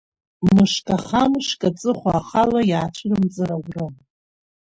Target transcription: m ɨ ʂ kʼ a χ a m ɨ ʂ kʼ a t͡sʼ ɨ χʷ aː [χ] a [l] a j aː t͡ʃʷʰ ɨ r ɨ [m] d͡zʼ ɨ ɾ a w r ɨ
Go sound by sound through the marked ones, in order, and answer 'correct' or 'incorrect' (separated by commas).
correct, correct, correct